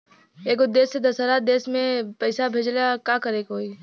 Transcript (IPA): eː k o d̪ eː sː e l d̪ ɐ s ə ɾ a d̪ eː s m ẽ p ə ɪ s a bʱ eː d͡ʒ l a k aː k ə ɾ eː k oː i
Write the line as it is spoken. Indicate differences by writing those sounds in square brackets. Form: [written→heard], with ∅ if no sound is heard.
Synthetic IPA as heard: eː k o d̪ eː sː e [l→∅] d̪ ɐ s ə ɾ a d̪ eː s m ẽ p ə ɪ s a bʱ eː d͡ʒ l a k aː k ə ɾ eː k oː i